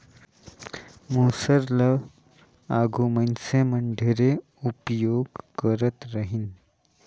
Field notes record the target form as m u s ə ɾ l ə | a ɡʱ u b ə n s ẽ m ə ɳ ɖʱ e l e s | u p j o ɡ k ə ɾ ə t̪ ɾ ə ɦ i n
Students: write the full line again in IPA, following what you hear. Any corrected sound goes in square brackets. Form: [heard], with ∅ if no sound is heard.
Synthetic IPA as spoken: m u s ə ɾ l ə | a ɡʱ u [m] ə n s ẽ m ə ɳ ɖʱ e [ɾ] e [∅] | u p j o ɡ k ə ɾ ə t̪ ɾ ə ɦ i n